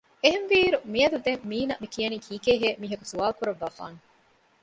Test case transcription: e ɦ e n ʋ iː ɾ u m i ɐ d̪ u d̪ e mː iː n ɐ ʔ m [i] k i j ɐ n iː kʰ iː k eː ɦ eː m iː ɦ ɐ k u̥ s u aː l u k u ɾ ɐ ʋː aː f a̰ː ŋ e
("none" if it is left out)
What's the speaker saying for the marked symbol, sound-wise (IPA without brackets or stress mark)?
i